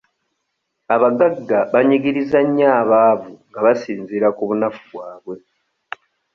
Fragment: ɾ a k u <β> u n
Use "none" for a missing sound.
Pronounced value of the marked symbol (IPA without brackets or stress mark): β